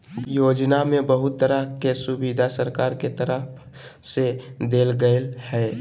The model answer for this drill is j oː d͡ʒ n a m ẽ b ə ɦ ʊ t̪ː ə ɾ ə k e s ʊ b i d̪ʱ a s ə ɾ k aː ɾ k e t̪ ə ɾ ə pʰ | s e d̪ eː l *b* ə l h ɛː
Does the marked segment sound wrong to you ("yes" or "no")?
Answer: yes